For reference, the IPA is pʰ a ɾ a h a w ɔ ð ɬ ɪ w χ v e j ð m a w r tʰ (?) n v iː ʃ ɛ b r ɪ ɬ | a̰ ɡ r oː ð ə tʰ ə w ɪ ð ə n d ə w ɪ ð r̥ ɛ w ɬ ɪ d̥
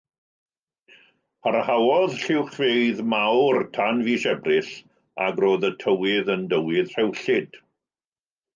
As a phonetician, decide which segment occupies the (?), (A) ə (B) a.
B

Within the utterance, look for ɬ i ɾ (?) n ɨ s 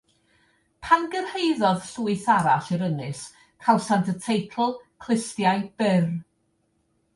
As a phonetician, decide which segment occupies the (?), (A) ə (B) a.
A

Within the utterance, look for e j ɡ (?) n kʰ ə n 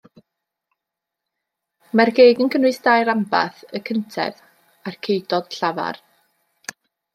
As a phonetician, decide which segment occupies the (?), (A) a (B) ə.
B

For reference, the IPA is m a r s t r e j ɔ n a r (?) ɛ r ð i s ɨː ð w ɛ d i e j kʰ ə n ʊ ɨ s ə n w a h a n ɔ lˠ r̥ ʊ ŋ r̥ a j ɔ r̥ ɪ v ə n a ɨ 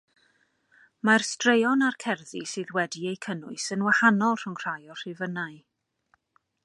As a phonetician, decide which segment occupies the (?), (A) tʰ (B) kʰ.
B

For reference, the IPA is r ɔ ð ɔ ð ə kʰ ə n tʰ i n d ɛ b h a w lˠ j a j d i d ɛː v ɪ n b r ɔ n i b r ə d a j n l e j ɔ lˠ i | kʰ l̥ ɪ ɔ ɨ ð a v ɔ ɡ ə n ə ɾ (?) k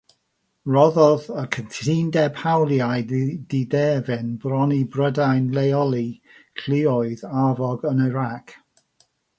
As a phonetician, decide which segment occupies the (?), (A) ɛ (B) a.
B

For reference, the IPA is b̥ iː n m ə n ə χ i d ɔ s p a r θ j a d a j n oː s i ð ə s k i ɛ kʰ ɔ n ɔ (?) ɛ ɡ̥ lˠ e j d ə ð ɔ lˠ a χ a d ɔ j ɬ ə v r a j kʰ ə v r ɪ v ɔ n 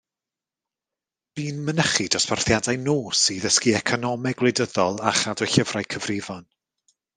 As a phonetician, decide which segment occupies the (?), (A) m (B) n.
A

